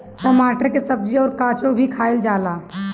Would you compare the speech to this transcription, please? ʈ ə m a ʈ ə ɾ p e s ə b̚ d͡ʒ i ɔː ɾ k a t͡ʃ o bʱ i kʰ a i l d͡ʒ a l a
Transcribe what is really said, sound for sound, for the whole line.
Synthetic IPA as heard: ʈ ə m a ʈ ə ɾ k e s ə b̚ d͡ʒ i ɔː ɾ k a t͡ʃ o bʱ i kʰ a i l d͡ʒ a l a